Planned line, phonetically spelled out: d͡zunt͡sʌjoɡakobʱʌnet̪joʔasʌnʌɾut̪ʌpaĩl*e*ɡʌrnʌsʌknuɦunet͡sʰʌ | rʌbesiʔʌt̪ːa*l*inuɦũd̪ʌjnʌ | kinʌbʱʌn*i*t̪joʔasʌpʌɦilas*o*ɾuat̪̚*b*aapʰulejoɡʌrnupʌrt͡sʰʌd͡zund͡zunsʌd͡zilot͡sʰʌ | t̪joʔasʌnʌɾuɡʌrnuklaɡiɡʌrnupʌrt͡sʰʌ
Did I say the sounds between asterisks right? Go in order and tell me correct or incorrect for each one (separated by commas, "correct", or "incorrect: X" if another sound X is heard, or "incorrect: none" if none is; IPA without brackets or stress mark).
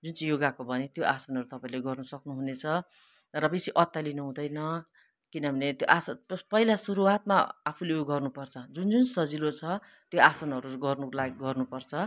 correct, correct, incorrect: e, incorrect: u, incorrect: m